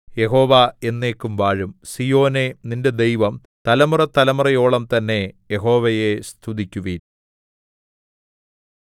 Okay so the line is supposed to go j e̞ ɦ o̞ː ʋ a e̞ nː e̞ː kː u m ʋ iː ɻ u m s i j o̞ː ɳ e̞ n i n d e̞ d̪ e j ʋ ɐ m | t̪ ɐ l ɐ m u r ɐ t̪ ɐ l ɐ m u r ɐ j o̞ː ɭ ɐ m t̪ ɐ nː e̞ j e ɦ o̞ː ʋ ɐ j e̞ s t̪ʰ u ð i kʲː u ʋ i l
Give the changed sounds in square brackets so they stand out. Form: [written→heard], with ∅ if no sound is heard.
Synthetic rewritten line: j e̞ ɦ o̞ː ʋ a e̞ nː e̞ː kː u m ʋ [iː→aː] ɻ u m s i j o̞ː [ɳ→n] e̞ n i n d e̞ d̪ e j ʋ ɐ m | t̪ ɐ l ɐ m u r ɐ t̪ ɐ l ɐ m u r ɐ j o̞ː ɭ ɐ m t̪ ɐ nː e̞ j e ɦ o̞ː ʋ ɐ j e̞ s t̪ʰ u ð i kʲː u ʋ i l